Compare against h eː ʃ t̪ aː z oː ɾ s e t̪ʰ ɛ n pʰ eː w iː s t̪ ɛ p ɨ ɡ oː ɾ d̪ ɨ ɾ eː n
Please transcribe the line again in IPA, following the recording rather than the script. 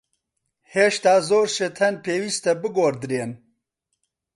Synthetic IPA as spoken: h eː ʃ t̪ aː z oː ɾ ʃ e t̪ʰ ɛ n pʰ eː w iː s t̪ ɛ b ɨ ɡ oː ɾ d̪ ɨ ɾ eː n